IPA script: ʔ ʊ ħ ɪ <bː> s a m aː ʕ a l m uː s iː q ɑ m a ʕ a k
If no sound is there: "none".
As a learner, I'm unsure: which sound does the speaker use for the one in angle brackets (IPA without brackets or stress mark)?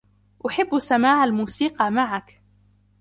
bː